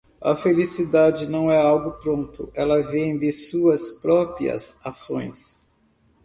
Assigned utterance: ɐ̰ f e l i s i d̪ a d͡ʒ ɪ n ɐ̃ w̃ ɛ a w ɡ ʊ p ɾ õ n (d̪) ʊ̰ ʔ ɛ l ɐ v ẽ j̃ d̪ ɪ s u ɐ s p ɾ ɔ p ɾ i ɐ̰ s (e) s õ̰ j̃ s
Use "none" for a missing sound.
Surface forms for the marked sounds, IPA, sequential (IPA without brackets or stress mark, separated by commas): t̪, a